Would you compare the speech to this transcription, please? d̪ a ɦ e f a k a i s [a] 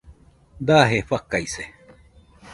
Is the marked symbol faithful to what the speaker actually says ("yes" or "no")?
no